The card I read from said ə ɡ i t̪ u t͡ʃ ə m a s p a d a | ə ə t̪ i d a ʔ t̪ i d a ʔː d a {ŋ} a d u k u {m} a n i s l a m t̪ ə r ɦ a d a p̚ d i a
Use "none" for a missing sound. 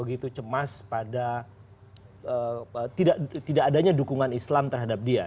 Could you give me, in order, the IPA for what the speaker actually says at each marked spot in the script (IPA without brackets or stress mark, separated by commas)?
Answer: ɲ, ŋ